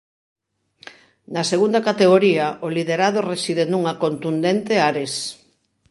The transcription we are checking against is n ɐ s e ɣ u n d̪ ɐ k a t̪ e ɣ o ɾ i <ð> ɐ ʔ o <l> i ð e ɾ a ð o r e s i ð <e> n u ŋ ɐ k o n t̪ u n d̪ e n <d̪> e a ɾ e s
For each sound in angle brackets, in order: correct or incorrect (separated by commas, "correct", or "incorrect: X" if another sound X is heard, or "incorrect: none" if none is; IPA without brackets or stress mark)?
incorrect: none, correct, correct, incorrect: t̪